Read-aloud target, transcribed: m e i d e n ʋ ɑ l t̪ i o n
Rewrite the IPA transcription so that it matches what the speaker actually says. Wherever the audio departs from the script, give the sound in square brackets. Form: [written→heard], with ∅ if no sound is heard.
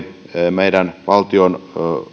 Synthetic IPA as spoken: m e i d [e→æ] n ʋ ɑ l t̪ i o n